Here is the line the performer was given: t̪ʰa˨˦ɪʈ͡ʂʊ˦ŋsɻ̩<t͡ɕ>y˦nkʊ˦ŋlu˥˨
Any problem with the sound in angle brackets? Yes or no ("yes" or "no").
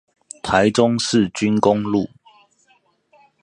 no